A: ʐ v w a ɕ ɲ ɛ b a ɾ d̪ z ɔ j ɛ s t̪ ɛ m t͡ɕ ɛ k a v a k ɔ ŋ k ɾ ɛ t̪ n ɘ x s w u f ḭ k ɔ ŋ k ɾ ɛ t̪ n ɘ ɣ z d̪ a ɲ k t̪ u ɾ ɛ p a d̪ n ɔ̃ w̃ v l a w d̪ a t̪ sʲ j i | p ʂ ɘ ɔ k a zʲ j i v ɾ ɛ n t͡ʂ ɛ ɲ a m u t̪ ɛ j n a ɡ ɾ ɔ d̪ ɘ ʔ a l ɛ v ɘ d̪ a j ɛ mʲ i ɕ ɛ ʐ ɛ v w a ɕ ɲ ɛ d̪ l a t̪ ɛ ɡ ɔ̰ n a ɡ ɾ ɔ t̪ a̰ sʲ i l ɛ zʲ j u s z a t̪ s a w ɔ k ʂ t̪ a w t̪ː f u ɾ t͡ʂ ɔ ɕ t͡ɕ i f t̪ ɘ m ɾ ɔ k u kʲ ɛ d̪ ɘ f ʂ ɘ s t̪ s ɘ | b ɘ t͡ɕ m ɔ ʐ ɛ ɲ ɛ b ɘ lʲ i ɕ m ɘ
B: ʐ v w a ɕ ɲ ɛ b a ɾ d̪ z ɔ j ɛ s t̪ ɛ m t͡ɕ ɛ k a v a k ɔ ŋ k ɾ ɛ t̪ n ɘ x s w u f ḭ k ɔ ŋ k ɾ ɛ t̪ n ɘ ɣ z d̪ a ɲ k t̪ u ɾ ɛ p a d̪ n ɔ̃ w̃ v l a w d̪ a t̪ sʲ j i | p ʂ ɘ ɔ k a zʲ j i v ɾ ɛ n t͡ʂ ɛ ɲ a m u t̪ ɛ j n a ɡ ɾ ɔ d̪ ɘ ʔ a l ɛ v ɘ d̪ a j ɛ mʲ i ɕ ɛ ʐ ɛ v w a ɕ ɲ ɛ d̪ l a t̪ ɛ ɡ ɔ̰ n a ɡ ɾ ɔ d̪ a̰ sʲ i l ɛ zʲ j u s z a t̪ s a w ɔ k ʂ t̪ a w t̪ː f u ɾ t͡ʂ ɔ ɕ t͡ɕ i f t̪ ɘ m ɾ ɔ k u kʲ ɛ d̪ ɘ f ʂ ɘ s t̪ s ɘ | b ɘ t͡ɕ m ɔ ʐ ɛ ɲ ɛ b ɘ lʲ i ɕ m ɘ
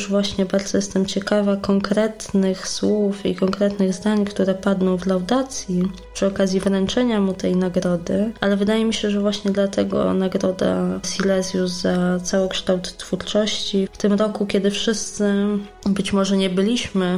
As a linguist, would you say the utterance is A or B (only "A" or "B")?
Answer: B